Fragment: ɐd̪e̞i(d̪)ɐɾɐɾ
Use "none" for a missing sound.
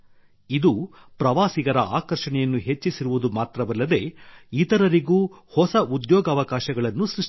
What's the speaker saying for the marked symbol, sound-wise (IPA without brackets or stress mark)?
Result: t̪